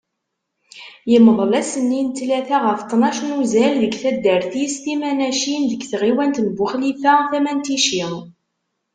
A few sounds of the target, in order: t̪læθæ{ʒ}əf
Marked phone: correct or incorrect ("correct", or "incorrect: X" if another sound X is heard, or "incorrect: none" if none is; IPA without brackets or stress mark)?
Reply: incorrect: ʁ